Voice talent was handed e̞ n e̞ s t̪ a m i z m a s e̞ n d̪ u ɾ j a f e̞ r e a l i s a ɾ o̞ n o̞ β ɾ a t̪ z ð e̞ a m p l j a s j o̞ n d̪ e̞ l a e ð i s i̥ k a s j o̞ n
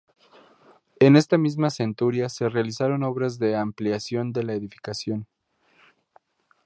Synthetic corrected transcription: e̞ n e̞ s t̪ a m i z m a s e̞ n t̪ u ɾ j a s e̞ r e a l i s a ɾ o̞ n o̞ β ɾ a z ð e̞ a m p l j a s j o̞ n d̪ e̞ l a e ð i f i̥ k a s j o̞ n